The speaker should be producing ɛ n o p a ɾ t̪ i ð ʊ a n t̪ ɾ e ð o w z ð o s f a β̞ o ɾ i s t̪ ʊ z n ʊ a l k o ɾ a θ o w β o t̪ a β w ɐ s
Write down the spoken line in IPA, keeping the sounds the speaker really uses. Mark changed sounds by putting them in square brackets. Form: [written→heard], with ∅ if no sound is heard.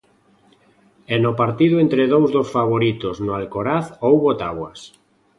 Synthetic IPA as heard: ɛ n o p a ɾ t̪ i ð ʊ [a→e] n t̪ ɾ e ð o w z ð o s f a β̞ o ɾ i [s→∅] t̪ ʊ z n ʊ a l k o ɾ a θ o w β o t̪ a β w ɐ s